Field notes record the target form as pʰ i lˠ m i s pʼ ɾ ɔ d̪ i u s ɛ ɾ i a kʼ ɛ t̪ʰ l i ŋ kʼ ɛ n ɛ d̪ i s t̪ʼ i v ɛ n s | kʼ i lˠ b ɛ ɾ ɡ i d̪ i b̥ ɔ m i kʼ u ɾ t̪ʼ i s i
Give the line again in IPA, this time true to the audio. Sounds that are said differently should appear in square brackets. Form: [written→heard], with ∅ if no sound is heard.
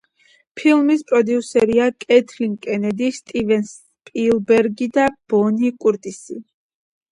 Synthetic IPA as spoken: pʰ i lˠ m i s pʼ ɾ ɔ d̪ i u s ɛ ɾ i a kʼ ɛ t̪ʰ l i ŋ kʼ ɛ n ɛ d̪ i s t̪ʼ i v ɛ n s | [kʼ→pʼ] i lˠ b ɛ ɾ ɡ i d̪ [i→a] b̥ ɔ [m→n] i kʼ u ɾ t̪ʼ i s i